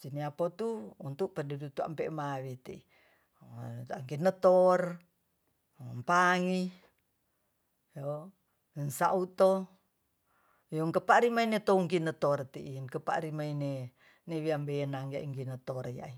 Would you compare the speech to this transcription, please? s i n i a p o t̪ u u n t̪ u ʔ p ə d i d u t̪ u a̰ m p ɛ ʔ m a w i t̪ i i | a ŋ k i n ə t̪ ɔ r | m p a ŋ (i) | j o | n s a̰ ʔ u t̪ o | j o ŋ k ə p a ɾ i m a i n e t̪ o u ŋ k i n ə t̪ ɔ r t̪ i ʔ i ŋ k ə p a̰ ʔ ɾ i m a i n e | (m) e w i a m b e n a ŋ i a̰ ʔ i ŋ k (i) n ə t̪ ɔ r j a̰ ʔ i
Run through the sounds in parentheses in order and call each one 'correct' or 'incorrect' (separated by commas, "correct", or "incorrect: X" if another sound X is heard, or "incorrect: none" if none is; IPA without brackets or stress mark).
correct, incorrect: n, correct